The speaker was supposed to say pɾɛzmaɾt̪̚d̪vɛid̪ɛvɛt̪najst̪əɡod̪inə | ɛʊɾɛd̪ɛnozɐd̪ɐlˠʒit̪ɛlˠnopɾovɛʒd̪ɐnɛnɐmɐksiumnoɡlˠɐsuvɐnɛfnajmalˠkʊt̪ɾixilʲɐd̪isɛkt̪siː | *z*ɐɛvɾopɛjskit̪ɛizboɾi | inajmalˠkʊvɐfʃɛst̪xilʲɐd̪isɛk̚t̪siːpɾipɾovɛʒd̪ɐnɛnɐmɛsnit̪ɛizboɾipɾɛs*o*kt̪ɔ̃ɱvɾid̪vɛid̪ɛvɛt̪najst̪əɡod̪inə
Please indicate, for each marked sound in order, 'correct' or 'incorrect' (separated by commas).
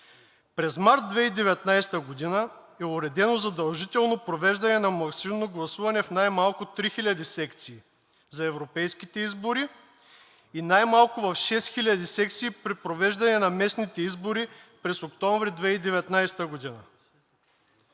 correct, correct